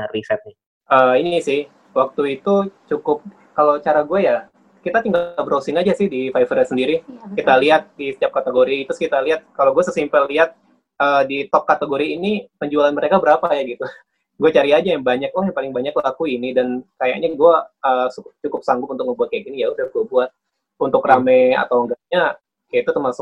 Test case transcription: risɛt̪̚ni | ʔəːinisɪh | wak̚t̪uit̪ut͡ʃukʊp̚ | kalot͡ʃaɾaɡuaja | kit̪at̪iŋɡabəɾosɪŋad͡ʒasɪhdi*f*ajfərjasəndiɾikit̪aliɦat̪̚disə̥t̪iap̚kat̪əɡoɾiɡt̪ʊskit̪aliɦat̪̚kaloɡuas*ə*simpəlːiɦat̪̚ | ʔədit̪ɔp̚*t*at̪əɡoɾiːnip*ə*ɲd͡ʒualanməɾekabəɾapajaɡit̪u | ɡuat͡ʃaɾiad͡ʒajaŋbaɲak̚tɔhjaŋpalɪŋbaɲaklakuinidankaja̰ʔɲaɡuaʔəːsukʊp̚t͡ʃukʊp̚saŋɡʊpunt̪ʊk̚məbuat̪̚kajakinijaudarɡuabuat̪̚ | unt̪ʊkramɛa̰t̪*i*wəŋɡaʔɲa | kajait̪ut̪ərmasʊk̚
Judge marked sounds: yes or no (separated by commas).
yes, yes, no, yes, no